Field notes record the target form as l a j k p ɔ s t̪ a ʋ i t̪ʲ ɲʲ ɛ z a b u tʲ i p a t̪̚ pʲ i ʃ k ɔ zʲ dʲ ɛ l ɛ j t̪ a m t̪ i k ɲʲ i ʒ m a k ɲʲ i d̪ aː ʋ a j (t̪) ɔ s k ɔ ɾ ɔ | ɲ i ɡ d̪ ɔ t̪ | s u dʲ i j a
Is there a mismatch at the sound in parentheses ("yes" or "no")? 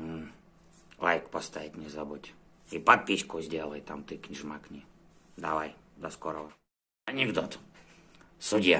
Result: yes